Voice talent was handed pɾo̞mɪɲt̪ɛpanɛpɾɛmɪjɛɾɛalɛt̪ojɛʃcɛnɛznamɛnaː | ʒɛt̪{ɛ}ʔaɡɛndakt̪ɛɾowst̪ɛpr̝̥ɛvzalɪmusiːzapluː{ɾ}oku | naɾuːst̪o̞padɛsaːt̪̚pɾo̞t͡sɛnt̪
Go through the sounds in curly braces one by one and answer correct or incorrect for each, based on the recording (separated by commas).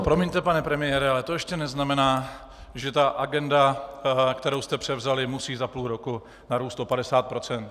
incorrect, correct